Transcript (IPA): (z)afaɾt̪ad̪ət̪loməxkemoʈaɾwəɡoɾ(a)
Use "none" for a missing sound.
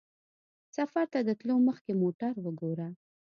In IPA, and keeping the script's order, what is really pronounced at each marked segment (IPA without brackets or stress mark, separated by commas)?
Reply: s, a